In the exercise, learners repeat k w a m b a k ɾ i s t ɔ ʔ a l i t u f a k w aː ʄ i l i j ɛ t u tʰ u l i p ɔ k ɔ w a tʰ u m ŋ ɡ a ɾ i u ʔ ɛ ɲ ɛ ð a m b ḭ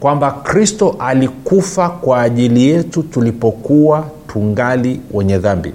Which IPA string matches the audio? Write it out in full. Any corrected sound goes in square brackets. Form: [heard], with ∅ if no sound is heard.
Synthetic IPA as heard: k w a m b a k ɾ i s t ɔ ʔ a l i [k] u f a k w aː ʄ i l i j ɛ t u [t] u l i p ɔ k [u] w a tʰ u [∅] ŋ ɡ a [l] i [w] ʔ ɛ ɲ ɛ ð a m b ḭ